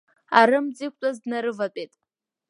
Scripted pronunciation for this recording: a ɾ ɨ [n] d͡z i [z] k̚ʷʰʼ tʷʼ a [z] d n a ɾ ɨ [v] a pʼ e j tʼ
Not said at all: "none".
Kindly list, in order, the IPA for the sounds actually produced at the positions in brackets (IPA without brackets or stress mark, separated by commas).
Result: m, none, z, v